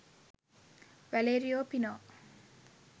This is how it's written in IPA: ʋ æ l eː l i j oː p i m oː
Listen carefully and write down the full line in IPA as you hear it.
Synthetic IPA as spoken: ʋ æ l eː ɾ i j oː p i n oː